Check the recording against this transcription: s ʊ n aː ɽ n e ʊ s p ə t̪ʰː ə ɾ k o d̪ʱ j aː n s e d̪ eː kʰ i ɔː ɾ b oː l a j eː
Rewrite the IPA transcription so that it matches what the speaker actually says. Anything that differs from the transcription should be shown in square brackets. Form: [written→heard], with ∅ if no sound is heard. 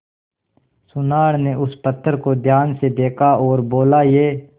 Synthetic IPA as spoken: s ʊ n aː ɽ n e ʊ s p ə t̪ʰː ə ɾ k o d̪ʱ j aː n s e d̪ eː kʰ [i→a] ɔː ɾ b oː l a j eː